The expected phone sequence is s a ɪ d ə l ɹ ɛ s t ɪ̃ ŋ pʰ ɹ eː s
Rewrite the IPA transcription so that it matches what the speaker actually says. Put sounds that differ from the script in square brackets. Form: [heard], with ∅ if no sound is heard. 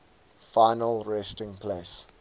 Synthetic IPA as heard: [f] a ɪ [n] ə l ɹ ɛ s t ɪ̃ ŋ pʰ [l] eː s